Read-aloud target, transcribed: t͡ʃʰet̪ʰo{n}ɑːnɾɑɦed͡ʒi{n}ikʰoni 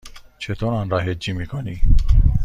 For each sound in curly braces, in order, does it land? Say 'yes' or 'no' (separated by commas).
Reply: yes, no